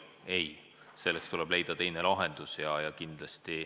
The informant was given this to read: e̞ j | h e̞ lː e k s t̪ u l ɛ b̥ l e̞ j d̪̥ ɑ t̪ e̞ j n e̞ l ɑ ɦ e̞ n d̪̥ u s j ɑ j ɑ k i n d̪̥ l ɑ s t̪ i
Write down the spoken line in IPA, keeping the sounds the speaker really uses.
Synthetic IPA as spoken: e̞ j | s e̞ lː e k s t̪ u l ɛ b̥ l e̞ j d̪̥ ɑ t̪ e̞ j n e̞ l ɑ ɦ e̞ n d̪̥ u s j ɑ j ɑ k i n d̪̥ l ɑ s t̪ i